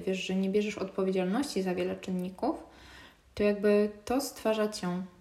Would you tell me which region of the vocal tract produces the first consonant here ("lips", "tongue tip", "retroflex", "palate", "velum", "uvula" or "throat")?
lips